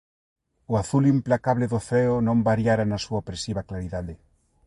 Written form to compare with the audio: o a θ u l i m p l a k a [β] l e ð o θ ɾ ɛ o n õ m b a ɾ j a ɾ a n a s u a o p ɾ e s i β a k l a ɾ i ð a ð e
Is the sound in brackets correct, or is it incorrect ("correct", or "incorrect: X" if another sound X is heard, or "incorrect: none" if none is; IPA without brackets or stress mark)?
correct